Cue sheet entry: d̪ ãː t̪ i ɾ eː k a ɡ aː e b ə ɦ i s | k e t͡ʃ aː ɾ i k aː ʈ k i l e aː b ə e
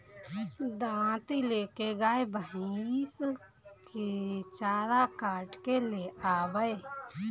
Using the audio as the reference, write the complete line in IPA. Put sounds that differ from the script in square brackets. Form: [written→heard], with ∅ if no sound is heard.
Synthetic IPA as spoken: d̪ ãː t̪ i [ɾ→l] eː k [a→e] ɡ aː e b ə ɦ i s | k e t͡ʃ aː ɾ [i→a] k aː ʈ k [i→e] l e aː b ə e